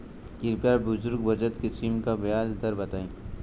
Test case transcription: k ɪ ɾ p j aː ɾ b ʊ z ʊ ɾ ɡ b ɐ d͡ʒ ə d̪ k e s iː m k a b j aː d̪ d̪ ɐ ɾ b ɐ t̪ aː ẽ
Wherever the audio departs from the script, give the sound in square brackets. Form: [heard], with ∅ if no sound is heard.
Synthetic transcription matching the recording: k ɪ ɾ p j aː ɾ b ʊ z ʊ ɾ ɡ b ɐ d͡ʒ ə [t̪] k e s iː m k a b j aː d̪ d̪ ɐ ɾ b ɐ t̪ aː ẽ